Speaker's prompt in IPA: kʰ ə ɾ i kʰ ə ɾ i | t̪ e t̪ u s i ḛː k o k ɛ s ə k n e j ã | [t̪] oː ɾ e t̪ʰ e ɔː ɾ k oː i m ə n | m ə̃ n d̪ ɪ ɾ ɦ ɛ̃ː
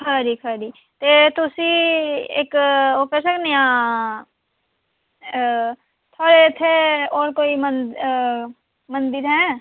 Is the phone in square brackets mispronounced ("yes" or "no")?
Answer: yes